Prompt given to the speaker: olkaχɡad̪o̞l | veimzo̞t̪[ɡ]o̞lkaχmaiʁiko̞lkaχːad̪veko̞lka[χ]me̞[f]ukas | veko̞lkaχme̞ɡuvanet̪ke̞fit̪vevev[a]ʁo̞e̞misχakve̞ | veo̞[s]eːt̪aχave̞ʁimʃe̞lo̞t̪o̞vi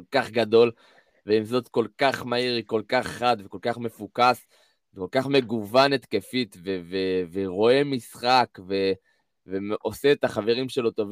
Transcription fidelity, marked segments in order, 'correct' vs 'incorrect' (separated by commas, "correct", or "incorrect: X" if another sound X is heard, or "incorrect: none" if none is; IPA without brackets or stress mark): incorrect: k, correct, correct, incorrect: e, correct